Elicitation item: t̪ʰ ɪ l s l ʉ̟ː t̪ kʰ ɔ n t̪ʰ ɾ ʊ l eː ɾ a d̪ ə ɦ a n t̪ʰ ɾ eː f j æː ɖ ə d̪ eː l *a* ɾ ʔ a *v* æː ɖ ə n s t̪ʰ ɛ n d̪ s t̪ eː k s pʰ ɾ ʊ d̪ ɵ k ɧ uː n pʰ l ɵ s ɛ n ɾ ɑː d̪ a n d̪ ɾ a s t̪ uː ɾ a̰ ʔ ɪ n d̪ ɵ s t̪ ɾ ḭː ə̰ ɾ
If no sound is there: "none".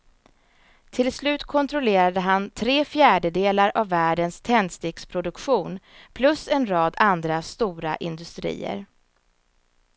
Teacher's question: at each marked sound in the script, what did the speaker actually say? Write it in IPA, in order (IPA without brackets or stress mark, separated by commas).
a, vː